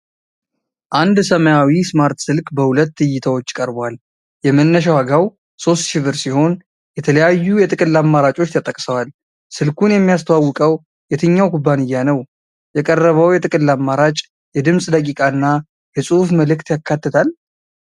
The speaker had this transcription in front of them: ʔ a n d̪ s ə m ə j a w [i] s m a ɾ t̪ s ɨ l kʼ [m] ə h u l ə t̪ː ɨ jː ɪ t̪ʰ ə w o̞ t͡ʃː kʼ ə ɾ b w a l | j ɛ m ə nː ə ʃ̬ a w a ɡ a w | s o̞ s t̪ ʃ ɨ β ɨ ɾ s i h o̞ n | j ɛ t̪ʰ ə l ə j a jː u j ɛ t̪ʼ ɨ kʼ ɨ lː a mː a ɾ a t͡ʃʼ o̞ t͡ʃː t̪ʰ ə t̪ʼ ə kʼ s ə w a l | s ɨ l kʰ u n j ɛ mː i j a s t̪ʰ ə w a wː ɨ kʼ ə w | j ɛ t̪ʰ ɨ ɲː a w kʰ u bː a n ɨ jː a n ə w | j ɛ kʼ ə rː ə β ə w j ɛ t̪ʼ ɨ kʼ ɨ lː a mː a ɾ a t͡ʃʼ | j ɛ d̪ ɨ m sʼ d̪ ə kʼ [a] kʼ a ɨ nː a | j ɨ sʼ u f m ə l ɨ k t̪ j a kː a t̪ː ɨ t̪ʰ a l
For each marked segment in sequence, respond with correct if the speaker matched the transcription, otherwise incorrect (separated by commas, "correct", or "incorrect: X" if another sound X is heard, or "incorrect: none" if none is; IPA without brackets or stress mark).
correct, incorrect: b, incorrect: i